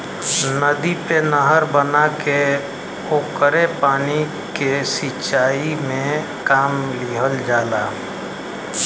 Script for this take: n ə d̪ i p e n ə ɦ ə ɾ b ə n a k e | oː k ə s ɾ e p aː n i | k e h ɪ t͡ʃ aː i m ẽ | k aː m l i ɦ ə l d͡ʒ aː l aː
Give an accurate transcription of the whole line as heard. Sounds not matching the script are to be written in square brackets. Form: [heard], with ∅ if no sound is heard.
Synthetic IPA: n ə d̪ i p e n ə ɦ ə ɾ b ə n a k e | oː k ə [∅] ɾ e p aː n i | k e [s] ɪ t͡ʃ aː i m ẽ | k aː m l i ɦ ə l d͡ʒ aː l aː